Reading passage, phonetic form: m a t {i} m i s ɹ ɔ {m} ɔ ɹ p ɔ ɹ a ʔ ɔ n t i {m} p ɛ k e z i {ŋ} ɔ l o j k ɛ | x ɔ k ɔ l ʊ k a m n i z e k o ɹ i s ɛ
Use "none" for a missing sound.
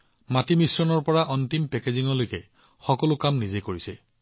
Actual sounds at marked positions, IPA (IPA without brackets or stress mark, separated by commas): i, n, m, ŋ